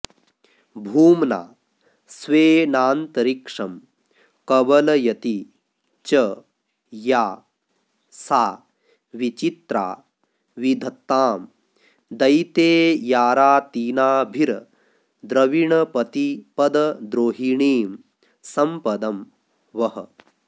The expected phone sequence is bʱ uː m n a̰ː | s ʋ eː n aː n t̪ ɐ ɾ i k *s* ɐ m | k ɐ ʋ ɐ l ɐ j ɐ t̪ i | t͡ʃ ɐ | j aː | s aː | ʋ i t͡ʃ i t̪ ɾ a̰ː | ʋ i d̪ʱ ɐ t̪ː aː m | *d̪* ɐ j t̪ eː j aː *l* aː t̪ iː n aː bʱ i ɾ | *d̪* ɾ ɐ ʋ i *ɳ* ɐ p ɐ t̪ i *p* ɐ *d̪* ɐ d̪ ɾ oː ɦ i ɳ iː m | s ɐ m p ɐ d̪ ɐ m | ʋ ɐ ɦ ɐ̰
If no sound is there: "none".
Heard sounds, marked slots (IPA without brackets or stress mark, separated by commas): ʂ, d̪, ɾ, d̪, ɳ, p, d̪